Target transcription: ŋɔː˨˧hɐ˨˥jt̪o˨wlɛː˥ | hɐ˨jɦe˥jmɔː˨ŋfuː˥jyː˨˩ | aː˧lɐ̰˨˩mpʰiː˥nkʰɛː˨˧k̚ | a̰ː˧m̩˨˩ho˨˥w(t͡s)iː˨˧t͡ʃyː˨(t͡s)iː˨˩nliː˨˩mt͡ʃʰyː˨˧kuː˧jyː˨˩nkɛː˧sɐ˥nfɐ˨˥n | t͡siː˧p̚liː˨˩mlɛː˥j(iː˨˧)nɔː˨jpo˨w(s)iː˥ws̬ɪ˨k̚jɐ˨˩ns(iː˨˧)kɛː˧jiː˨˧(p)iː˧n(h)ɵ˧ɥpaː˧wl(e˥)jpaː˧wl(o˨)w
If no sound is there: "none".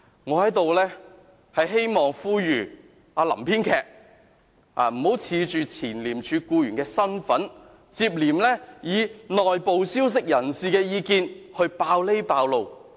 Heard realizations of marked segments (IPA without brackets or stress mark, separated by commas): t͡sʰ, t͡sʰ, iː˨˧, s, iː˨˧, k, h, e˥, o˨